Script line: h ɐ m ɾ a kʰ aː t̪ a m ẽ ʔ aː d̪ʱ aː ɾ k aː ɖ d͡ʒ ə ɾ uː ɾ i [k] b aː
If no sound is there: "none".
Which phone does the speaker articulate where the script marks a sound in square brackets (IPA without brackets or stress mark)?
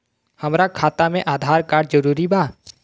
none